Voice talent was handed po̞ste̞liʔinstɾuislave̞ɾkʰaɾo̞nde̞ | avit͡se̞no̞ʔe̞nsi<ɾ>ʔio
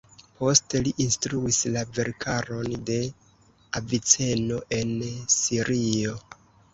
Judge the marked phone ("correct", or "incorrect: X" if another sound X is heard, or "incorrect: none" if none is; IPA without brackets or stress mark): correct